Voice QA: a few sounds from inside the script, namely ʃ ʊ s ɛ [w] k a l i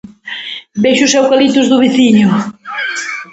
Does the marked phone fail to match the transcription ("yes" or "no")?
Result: no